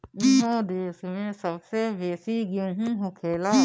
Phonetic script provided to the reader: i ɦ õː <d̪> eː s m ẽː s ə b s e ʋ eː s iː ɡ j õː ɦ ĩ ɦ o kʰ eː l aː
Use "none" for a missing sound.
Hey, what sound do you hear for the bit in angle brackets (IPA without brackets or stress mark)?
d̪